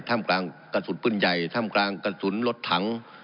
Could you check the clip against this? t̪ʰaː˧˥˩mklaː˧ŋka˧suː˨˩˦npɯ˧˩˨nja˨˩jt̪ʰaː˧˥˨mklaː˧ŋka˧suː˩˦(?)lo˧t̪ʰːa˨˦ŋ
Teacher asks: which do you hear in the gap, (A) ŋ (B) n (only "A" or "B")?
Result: B